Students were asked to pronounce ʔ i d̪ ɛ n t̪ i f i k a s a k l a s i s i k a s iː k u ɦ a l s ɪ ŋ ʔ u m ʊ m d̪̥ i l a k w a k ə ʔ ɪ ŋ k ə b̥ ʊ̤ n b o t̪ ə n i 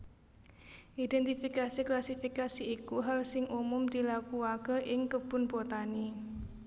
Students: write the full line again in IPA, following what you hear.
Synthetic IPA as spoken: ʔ i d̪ ɛ n t̪ i f i k a s i k l a s i f i k a s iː k u ɦ a l s ɪ ŋ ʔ u m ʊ m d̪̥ i l a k u a k ə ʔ ɪ ŋ k ə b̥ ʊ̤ n b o t̪ a n i